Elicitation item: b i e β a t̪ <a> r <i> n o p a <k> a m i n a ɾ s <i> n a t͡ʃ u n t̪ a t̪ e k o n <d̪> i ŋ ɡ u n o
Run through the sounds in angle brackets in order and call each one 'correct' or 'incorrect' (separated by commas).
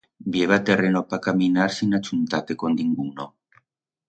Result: incorrect, incorrect, correct, correct, correct